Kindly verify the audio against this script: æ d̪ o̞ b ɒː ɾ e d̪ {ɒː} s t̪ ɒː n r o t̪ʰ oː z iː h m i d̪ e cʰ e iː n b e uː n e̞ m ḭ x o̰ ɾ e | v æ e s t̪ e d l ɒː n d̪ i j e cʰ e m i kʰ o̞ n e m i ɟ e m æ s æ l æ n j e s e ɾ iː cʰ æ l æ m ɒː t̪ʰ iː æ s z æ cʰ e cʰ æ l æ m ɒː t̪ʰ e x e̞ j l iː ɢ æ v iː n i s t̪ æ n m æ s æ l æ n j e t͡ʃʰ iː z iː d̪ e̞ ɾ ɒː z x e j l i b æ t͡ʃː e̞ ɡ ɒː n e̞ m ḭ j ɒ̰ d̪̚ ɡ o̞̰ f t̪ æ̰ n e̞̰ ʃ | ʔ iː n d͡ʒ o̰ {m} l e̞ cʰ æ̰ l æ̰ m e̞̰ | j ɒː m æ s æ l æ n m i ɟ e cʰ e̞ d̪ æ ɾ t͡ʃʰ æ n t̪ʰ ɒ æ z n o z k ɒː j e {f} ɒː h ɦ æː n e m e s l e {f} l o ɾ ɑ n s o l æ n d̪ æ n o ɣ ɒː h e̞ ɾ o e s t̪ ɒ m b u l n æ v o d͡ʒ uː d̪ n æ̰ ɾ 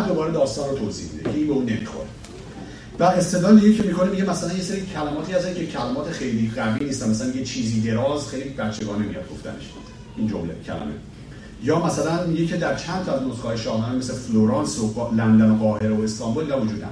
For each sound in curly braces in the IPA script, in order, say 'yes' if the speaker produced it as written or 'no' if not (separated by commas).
yes, yes, no, yes